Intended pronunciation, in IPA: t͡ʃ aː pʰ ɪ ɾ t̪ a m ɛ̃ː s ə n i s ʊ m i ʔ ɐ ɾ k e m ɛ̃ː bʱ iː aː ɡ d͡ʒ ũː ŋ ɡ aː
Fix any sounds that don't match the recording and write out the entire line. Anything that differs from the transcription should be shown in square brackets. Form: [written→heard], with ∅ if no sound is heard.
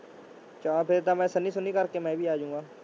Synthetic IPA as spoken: t͡ʃ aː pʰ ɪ ɾ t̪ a m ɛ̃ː s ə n i s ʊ [m→n] i [ʔ→k] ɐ ɾ k e m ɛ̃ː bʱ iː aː [ɡ→∅] d͡ʒ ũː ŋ ɡ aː